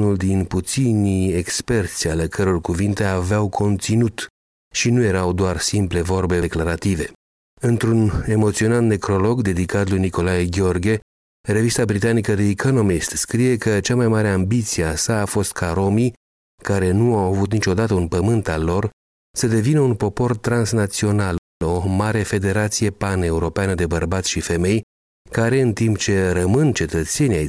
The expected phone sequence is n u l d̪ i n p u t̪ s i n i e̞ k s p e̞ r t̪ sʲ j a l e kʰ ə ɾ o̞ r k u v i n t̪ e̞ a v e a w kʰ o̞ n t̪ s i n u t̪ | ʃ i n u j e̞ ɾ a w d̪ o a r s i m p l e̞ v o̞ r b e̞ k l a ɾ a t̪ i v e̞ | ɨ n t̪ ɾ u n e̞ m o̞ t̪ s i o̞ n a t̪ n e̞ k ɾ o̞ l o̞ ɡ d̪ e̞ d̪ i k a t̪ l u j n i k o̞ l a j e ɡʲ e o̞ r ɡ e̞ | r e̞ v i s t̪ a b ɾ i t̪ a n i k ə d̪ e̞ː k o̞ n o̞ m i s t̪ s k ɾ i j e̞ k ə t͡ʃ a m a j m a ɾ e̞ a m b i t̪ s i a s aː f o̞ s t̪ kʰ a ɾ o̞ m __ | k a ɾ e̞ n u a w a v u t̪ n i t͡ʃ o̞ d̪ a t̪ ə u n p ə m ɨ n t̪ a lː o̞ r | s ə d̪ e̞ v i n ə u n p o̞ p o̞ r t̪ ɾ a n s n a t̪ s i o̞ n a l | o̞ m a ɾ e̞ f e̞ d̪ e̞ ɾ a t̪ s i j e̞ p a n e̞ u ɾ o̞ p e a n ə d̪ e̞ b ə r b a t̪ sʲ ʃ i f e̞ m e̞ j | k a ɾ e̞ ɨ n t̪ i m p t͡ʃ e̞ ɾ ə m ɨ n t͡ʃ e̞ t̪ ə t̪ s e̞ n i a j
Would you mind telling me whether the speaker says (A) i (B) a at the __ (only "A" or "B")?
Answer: A